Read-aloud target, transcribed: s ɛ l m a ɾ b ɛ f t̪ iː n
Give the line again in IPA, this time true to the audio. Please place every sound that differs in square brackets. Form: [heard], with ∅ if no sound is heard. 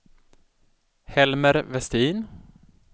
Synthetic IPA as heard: [h] ɛ l m [ə] ɾ [v] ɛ [s] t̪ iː n